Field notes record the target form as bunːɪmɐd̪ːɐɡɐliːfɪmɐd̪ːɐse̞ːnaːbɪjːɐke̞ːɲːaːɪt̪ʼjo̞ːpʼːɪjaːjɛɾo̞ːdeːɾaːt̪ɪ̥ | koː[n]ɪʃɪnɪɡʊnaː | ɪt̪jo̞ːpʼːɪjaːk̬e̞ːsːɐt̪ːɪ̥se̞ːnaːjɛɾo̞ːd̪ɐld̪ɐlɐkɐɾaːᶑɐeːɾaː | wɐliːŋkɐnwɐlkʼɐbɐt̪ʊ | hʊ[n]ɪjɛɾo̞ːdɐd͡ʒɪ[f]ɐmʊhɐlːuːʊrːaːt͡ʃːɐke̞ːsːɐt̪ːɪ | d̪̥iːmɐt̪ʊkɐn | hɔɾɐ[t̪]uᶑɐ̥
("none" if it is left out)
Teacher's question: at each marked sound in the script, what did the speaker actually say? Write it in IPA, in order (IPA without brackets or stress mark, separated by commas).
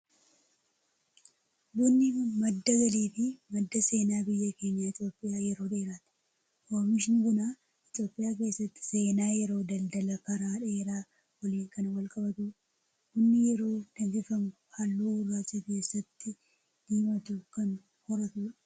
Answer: m, nː, f, t̪